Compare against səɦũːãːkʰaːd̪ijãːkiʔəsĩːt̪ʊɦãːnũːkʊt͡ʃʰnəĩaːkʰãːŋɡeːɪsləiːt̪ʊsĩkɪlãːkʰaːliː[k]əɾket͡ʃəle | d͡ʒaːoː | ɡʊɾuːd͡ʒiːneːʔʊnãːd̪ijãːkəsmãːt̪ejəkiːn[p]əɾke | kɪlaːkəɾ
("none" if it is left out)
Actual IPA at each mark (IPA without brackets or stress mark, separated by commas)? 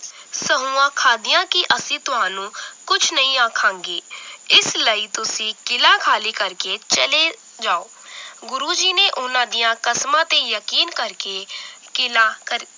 k, k